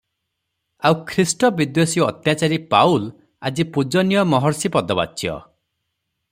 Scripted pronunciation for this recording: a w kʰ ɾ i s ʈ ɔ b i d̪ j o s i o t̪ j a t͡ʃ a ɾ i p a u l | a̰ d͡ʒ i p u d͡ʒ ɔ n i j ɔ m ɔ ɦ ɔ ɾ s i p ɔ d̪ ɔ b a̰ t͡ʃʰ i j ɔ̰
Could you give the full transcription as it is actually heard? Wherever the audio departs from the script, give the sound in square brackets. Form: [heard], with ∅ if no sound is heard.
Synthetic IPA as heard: a w kʰ ɾ i s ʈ ɔ b i d̪ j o s i [ɔ] t̪ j a t͡ʃ a ɾ i p a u l | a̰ d͡ʒ i p u d͡ʒ ɔ n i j ɔ m ɔ ɦ ɔ ɾ s i p ɔ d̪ ɔ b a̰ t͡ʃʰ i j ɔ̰

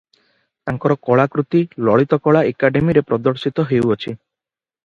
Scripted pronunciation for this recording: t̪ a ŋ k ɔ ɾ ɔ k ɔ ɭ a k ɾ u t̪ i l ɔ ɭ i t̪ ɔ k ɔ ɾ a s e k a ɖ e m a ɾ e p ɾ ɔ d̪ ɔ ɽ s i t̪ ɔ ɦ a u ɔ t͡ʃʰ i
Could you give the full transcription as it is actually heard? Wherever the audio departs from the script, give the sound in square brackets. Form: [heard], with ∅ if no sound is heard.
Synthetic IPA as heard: t̪ a ŋ k ɔ ɾ ɔ k ɔ ɭ a k ɾ u t̪ i l ɔ ɭ i t̪ ɔ k ɔ [ɭ] a [∅] e k a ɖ e m [i] ɾ e p ɾ ɔ d̪ ɔ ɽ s i t̪ ɔ ɦ [e] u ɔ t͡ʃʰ i

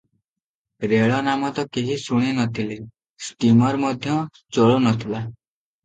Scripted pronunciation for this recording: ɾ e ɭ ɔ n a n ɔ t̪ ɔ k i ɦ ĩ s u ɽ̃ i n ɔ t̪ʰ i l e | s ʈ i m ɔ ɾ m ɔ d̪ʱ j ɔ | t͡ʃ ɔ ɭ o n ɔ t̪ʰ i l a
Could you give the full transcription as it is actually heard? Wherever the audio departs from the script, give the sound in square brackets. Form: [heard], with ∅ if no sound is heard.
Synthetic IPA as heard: ɾ e ɭ ɔ n a [m] ɔ t̪ ɔ k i ɦ [i] s u ɽ̃ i n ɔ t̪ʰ i l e | s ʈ i m ɔ ɾ m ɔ d̪ʱ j ɔ | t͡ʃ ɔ ɭ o n ɔ t̪ʰ i l a

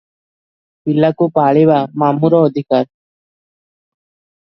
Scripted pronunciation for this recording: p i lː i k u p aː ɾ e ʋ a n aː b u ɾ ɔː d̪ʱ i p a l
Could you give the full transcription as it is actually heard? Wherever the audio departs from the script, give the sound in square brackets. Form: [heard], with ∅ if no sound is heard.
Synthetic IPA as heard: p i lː [a] k u p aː [ɭ] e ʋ a [m] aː [m] u ɾ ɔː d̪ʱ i [k] a [ɾ]

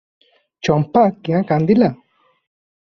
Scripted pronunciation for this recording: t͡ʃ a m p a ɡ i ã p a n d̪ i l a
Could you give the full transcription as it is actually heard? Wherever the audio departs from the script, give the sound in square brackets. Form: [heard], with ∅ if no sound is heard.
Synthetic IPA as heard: t͡ʃ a m p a [k] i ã [k] a n d̪ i l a

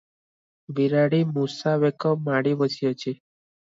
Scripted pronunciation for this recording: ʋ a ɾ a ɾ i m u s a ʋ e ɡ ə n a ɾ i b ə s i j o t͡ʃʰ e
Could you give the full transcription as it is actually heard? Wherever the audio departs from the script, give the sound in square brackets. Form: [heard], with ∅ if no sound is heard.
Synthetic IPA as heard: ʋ [i] ɾ a [ɽ] i m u s a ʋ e [k] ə [m] a [ɽ] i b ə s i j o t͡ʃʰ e

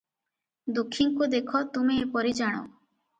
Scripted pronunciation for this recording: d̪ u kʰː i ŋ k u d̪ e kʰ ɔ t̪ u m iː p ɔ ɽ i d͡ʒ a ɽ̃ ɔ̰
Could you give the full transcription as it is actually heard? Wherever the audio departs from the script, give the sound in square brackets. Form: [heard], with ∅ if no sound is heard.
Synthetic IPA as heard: d̪ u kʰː i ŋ k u d̪ e kʰ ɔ t̪ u m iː p ɔ [ɾ] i d͡ʒ a ɽ̃ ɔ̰

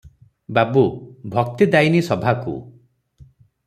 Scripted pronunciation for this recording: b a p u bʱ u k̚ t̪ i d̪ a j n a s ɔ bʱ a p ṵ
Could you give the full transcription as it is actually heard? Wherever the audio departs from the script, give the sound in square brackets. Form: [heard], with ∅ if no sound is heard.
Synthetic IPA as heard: b a [b] u bʱ [ɔ] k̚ t̪ i d̪ a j n [i] s ɔ bʱ a [k] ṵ

